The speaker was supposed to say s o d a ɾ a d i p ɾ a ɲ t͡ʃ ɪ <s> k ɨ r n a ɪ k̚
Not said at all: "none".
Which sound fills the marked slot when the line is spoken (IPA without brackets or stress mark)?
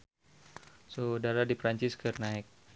s